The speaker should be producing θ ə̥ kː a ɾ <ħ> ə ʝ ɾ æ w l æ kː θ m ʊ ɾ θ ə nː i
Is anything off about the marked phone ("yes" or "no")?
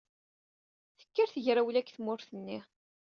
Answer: yes